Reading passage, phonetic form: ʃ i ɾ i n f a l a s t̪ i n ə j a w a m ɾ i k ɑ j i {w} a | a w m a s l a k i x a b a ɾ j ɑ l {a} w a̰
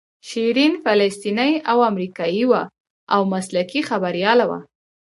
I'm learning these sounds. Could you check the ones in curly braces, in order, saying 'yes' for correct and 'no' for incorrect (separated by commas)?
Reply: yes, yes